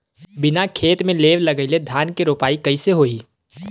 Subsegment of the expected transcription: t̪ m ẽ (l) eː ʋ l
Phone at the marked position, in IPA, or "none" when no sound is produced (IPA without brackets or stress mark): l